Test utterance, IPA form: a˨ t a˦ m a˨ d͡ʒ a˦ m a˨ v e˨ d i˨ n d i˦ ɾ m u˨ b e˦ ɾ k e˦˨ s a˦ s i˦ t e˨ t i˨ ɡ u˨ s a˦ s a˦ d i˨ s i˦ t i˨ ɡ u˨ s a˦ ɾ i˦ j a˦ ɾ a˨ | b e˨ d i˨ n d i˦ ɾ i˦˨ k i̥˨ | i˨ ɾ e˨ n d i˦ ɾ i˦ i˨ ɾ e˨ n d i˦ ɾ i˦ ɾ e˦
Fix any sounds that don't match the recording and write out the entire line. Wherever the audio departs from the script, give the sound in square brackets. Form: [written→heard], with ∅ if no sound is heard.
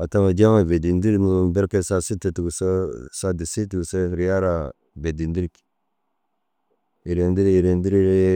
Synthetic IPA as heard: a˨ t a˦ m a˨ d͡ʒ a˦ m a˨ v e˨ d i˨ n d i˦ ɾ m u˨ b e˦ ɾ k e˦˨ s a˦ s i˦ t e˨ t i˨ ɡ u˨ s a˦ s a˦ d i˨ s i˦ t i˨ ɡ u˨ s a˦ ɾ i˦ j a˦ ɾ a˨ | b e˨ d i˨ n d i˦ ɾ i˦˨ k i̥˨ | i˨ ɾ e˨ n d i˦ ɾ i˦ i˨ ɾ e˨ n d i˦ ɾ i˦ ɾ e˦